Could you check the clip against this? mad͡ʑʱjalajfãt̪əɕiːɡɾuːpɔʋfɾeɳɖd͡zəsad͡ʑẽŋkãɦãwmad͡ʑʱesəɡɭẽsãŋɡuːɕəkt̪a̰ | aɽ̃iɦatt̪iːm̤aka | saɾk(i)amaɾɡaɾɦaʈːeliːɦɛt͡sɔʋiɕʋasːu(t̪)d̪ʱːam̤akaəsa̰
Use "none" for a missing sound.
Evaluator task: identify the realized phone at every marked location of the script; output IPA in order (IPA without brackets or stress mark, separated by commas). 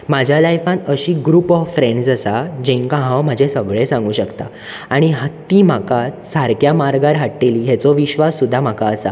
j, none